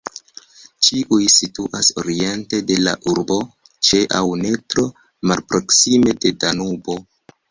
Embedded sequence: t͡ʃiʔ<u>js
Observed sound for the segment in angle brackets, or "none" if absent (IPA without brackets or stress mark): u